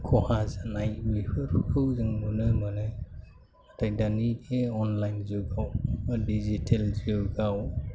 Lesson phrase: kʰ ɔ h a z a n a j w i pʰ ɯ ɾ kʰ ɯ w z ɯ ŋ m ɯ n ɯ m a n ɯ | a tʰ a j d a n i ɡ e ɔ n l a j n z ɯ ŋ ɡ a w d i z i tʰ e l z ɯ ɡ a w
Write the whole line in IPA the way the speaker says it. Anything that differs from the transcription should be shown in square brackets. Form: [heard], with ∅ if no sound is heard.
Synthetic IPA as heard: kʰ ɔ h a z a n a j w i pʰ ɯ ɾ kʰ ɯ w z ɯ ŋ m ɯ n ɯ m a n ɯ | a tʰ a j d a n i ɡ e ɔ n l a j n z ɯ [∅] ɡ a w d i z i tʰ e l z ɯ ɡ a w